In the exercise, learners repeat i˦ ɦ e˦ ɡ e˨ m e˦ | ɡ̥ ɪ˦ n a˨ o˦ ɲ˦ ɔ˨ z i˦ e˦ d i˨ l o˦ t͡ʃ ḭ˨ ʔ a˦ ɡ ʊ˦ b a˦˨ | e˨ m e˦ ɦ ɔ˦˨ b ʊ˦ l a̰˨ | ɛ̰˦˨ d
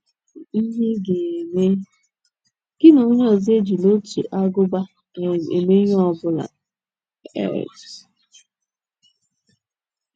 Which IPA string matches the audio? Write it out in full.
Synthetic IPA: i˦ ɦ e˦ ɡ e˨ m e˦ | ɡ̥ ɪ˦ n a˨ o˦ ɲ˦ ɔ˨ z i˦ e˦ d͡ʒ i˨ l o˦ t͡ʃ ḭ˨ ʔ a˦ ɡ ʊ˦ b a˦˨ | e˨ m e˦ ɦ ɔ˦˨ b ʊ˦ l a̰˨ | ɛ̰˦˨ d